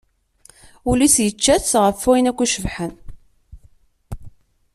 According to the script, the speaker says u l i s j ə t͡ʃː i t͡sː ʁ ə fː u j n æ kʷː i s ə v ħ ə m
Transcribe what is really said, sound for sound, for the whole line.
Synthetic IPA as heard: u l i s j ə t͡ʃː æ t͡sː ʁ ə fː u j n æ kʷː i ʃ ə v ħ ə n